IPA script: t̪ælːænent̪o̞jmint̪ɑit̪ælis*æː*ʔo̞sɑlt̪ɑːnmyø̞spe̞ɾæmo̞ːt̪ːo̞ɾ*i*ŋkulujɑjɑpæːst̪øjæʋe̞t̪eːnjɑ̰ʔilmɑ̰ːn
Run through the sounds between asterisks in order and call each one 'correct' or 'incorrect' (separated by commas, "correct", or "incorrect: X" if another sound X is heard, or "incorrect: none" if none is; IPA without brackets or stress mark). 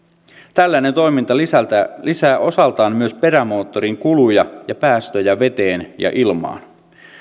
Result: correct, correct